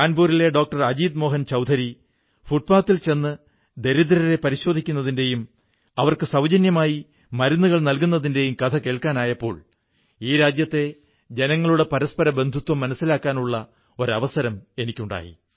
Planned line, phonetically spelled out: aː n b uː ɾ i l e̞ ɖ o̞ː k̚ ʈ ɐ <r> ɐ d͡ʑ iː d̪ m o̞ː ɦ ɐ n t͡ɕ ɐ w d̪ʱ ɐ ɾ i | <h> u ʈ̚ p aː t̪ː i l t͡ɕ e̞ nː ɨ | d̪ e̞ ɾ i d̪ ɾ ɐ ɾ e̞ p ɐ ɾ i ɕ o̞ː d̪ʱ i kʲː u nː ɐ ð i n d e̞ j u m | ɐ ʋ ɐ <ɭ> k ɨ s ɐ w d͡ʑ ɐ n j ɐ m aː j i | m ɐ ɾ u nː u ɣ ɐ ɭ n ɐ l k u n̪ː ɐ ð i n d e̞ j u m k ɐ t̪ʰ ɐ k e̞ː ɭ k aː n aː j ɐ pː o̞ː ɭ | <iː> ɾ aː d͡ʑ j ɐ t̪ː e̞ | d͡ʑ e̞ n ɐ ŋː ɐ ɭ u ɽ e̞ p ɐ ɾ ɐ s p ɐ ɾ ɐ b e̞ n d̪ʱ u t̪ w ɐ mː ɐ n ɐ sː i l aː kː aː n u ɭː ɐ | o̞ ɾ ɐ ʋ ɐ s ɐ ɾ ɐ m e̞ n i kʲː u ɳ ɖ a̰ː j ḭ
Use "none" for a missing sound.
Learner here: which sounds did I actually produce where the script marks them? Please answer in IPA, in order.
r, f, r, iː

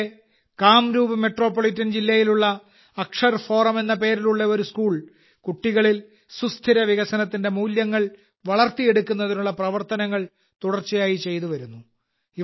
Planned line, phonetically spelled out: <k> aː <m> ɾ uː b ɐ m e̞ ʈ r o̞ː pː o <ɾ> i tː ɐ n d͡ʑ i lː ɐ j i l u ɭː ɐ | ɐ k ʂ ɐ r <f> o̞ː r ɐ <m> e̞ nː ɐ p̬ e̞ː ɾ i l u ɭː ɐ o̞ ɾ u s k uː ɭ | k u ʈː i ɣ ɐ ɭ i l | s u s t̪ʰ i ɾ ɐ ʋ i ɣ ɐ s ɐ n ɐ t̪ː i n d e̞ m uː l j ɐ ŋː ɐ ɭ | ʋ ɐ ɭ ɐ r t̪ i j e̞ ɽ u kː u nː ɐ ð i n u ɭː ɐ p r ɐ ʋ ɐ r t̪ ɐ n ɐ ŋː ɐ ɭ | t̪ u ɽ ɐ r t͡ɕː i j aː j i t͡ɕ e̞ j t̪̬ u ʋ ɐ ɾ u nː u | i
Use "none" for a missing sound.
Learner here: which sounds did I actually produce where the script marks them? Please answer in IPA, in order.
k, m, ɭ, f, m

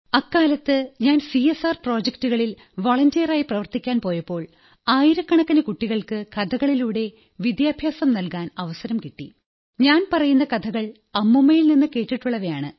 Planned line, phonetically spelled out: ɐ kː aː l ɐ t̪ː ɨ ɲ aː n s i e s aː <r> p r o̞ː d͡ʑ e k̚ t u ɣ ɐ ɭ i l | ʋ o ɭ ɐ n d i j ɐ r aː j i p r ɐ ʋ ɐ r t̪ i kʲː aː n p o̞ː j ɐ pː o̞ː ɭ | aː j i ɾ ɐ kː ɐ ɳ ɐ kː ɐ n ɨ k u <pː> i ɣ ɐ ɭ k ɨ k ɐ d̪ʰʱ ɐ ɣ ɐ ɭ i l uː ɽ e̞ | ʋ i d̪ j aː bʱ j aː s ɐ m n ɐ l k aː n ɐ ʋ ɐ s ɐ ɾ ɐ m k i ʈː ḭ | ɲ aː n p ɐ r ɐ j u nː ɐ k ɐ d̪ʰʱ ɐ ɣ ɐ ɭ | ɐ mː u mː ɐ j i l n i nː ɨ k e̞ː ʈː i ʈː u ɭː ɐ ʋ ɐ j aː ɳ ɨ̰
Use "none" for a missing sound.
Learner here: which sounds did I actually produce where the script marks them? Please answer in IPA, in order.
r, ʈː

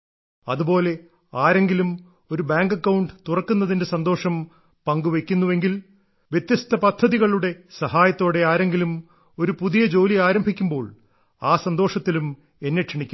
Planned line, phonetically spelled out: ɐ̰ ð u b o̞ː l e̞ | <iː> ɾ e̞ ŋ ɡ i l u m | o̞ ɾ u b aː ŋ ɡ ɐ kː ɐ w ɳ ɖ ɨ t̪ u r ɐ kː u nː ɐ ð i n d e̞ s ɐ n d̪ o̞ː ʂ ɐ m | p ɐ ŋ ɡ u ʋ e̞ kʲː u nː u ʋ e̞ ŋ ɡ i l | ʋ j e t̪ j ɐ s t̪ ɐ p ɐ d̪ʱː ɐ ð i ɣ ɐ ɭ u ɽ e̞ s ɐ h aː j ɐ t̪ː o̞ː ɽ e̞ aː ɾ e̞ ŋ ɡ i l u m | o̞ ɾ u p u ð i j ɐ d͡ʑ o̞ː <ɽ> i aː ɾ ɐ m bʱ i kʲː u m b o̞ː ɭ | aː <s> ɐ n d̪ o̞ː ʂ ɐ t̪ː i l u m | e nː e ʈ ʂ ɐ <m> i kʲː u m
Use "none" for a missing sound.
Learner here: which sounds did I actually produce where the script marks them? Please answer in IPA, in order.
aː, l, s, ɳ

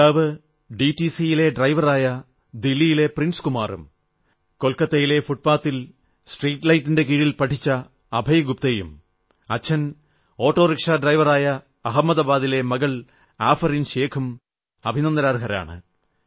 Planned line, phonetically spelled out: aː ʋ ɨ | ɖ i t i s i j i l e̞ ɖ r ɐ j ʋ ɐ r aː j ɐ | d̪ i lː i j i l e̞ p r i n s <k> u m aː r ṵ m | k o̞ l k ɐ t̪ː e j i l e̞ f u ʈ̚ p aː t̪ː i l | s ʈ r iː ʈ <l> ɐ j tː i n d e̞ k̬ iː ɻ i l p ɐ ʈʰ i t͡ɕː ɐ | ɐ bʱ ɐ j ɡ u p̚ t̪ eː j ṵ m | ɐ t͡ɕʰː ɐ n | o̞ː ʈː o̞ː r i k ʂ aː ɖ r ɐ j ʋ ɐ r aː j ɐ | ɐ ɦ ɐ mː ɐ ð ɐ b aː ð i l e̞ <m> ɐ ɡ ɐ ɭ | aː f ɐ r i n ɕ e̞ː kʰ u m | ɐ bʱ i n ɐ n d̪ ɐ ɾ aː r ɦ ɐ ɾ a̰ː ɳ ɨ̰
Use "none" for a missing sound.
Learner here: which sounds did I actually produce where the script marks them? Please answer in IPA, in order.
k, l, m

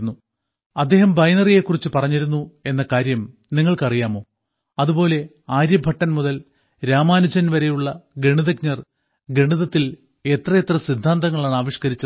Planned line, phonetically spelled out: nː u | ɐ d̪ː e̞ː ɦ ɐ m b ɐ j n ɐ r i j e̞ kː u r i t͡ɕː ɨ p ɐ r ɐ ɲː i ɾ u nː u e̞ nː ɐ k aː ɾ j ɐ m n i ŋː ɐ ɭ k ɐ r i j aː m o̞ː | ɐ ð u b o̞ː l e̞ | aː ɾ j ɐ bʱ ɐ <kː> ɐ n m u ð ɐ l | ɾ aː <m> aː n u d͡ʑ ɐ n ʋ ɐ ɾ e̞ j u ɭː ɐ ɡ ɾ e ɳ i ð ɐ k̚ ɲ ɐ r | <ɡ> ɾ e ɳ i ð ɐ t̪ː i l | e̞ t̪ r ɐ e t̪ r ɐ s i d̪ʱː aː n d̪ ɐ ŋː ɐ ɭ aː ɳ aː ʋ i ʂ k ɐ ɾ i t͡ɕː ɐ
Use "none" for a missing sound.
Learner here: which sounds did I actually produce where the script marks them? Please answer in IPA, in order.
ʈː, m, ɡ

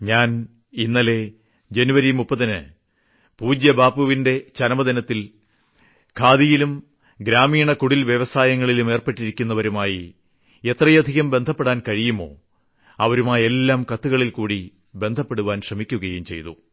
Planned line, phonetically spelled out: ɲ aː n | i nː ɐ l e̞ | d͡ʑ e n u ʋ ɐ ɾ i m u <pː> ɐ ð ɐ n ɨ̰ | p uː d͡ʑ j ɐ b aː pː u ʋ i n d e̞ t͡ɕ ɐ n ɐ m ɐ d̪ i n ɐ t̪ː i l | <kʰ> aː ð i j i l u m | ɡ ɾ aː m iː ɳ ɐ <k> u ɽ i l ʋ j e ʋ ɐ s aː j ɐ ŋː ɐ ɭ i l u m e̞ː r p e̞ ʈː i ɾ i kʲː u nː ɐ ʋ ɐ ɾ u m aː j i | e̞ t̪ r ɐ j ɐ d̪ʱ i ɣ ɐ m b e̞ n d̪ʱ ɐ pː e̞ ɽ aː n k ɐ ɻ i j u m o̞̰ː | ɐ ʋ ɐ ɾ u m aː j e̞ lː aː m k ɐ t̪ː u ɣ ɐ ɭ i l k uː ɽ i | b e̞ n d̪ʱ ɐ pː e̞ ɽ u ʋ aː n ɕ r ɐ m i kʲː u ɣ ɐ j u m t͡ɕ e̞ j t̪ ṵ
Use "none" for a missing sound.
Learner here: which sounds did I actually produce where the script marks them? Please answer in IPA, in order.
pː, kʰ, k

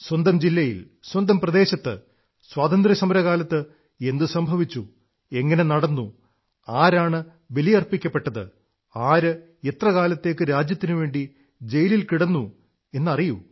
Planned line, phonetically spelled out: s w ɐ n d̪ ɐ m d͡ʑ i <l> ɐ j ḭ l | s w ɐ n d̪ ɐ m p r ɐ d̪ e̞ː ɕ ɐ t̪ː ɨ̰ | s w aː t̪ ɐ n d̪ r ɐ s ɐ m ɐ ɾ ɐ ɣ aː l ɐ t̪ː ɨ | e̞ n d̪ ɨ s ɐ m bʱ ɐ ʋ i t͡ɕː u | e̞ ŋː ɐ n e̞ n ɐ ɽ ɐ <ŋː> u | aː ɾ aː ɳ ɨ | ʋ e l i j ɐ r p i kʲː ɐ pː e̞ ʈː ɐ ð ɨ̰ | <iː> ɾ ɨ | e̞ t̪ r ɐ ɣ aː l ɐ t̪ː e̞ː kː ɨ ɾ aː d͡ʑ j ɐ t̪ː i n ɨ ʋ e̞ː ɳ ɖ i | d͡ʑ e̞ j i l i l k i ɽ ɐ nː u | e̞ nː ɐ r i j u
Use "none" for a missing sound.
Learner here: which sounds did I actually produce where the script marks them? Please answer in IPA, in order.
lː, nː, aː

